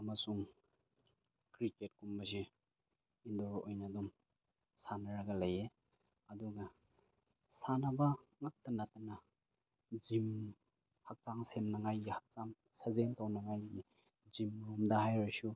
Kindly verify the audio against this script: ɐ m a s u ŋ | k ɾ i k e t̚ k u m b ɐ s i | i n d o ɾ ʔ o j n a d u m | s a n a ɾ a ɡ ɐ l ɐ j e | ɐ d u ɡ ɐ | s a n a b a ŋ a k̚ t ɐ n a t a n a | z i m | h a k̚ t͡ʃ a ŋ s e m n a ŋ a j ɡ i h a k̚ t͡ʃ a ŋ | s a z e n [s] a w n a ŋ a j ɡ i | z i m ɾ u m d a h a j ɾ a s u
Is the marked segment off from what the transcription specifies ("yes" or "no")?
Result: yes